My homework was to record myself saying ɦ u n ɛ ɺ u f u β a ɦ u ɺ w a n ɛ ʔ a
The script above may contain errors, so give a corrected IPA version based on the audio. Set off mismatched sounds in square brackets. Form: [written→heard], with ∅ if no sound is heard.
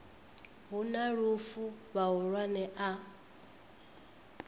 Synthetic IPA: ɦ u n [ɛ→a] ɺ u f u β a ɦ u ɺ w a n ɛ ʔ a